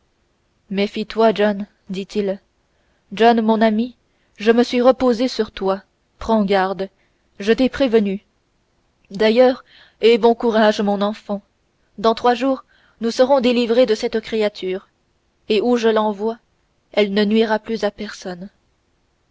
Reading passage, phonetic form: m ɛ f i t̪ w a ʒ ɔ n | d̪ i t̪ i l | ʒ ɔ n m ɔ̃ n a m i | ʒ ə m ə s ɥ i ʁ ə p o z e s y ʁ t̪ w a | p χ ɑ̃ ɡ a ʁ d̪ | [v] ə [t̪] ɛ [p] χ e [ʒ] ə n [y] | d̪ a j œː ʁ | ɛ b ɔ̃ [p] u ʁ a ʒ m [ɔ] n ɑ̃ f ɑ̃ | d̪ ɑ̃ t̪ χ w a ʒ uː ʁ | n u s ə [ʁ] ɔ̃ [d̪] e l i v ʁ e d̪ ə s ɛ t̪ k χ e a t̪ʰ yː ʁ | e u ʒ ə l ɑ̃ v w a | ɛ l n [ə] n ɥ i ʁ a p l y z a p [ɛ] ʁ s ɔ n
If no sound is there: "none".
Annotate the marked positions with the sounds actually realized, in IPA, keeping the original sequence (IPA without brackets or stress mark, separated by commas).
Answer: ʒ, t̪, p, v, y, k, ɔ̃, ʁ, d̪, ə, ɛ